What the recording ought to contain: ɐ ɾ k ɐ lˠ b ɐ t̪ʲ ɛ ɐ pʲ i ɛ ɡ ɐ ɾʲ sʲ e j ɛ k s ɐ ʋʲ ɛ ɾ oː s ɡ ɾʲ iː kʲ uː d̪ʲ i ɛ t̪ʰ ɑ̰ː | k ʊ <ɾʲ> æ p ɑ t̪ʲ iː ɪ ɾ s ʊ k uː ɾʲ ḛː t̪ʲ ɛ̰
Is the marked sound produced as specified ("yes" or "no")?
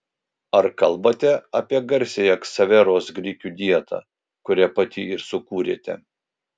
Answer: yes